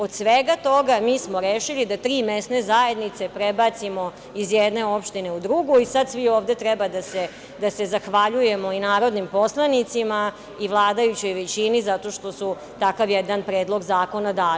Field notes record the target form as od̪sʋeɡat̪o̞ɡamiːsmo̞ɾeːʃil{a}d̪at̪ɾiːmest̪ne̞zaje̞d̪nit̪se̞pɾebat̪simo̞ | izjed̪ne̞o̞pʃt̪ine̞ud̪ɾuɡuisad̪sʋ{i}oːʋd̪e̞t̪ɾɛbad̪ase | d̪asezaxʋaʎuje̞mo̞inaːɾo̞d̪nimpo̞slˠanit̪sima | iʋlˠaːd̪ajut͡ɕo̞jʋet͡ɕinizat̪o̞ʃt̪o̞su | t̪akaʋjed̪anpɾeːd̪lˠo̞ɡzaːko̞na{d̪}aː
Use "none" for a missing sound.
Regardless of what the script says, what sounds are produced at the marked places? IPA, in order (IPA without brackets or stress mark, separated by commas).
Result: i, i, d̪